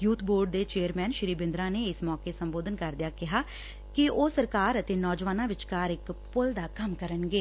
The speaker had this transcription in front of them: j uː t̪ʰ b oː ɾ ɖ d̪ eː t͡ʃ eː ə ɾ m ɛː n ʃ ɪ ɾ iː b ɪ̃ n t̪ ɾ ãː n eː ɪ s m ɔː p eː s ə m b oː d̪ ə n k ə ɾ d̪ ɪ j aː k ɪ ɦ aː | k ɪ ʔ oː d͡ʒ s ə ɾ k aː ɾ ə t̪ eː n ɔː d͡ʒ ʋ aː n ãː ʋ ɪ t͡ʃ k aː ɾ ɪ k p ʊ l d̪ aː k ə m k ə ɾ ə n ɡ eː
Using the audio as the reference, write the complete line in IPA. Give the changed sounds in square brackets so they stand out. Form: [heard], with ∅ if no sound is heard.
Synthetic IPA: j uː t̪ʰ b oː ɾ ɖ d̪ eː t͡ʃ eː ə ɾ m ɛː n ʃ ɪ ɾ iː b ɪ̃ n [d̪] ɾ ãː n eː ɪ s m ɔː [k] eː s ə m b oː d̪ ə n k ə ɾ d̪ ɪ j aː k ɪ ɦ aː | k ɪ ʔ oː [∅] s ə ɾ k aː ɾ ə t̪ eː n ɔː d͡ʒ ʋ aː n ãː ʋ ɪ t͡ʃ k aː ɾ ɪ k p ʊ l d̪ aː k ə m k ə ɾ ə n ɡ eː